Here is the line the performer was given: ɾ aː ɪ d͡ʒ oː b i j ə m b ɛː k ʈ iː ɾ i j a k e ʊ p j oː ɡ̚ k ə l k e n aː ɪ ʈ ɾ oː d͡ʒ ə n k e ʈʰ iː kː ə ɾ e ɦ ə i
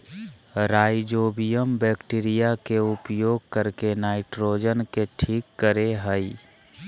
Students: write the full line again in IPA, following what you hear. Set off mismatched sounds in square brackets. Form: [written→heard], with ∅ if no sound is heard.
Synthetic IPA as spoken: ɾ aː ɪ d͡ʒ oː b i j ə m b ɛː k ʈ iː ɾ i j a k e ʊ p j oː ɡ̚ k ə [l→ɾ] k e n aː ɪ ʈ ɾ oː d͡ʒ ə n k e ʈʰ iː kː ə ɾ e ɦ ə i